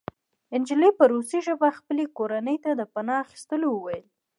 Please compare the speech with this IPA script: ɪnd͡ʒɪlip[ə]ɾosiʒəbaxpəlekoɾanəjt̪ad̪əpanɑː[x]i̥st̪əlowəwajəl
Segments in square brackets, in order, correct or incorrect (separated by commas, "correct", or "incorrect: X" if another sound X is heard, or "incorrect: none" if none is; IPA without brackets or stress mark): correct, correct